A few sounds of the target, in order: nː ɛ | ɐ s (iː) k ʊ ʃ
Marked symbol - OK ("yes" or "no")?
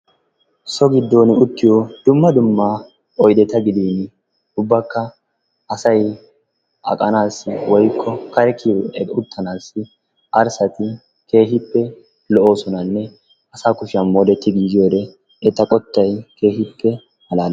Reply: no